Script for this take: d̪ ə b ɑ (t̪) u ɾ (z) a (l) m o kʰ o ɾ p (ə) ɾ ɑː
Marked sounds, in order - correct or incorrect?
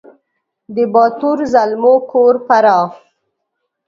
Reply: correct, correct, correct, incorrect: a

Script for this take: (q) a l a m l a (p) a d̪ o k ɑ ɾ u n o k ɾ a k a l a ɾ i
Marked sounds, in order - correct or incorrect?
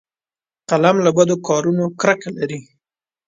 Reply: correct, incorrect: b

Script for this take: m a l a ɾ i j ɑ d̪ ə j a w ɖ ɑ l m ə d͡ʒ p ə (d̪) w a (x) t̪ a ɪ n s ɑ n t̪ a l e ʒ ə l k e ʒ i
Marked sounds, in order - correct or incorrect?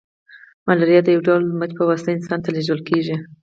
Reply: incorrect: none, incorrect: s

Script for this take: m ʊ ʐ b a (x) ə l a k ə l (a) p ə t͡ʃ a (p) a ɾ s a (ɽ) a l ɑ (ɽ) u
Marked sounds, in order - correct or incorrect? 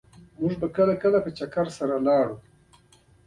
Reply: incorrect: k, correct, incorrect: k, incorrect: ɾ, correct

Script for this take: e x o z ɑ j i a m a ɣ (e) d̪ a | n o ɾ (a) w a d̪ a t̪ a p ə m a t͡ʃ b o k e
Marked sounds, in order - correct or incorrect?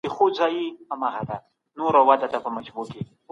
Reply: incorrect: a, correct

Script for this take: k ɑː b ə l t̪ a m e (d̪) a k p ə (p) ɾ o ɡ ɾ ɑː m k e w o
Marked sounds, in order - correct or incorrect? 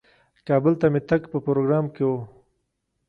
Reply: incorrect: t̪, correct

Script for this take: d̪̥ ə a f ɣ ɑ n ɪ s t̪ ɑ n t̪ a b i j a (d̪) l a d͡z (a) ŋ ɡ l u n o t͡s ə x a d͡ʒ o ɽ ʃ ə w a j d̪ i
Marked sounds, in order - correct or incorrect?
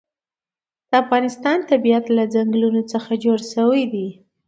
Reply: incorrect: t̪, correct

